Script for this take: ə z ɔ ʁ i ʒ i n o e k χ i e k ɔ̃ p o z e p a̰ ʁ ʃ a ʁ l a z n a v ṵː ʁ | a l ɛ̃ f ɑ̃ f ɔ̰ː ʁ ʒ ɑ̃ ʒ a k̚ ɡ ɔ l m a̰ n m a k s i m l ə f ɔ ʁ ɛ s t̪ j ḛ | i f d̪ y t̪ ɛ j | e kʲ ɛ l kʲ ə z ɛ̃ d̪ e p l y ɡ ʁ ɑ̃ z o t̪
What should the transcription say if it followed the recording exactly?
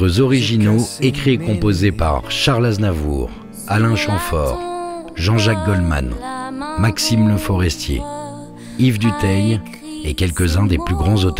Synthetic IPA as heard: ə z ɔ ʁ i ʒ i n o e k χ i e k ɔ̃ p o z e p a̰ ʁ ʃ a ʁ l a z n a v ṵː ʁ | a l ɛ̃ ʃ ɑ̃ f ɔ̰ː ʁ ʒ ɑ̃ ʒ a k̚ ɡ ɔ l m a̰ n m a k s i m l ə f ɔ ʁ ɛ s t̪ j ḛ | i v d̪ y t̪ ɛ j | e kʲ ɛ l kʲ ə z ɛ̃ d̪ e p l y ɡ ʁ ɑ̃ z o t̪